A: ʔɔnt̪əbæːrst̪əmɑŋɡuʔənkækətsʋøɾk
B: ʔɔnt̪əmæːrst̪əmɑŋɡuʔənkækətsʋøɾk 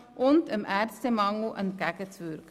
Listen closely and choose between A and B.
B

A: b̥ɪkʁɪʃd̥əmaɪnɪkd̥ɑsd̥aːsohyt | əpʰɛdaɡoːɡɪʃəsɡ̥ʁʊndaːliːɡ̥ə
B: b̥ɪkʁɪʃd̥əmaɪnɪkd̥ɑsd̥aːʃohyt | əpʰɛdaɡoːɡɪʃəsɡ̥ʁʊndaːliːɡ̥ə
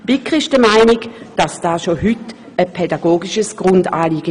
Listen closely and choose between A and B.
B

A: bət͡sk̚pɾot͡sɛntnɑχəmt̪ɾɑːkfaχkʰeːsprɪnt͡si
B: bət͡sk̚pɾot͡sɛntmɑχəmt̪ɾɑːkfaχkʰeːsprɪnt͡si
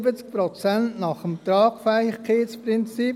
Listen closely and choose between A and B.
A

